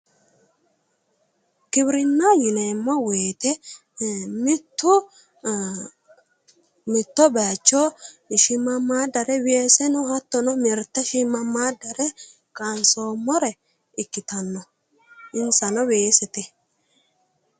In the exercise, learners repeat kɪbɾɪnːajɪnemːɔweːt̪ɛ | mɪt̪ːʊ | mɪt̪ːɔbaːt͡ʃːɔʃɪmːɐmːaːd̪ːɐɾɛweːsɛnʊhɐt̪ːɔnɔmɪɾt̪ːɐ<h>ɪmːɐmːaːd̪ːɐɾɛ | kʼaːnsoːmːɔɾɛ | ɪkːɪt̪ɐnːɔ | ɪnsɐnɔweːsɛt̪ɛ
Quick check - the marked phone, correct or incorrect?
incorrect